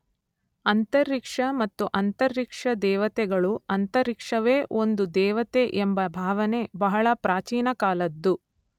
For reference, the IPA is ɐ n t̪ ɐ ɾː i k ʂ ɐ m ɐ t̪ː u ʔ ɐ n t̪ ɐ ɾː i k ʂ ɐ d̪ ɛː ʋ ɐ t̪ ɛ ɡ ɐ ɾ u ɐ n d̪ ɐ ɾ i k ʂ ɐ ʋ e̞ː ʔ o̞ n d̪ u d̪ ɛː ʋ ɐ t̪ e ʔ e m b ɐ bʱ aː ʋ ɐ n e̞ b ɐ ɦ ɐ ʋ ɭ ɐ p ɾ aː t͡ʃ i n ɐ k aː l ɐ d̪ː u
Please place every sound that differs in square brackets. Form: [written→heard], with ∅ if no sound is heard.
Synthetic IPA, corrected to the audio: ɐ n t̪ ɐ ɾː i k ʂ ɐ m ɐ t̪ː u ʔ ɐ n t̪ ɐ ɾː i k ʂ ɐ d̪ ɛː ʋ ɐ t̪ ɛ ɡ ɐ [ɾ→ɭ] u ɐ n [d̪→t̪] ɐ ɾ i k ʂ ɐ ʋ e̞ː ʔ o̞ n d̪ u d̪ ɛː ʋ ɐ t̪ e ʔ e m b ɐ bʱ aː ʋ ɐ n e̞ b ɐ ɦ ɐ [ʋ→∅] ɭ ɐ p ɾ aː t͡ʃ [i→iː] n ɐ k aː l ɐ d̪ː u